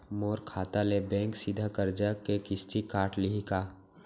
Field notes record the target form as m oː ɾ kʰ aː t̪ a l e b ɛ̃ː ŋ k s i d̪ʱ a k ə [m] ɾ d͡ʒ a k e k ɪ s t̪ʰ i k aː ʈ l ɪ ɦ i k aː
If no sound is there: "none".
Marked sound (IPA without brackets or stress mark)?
none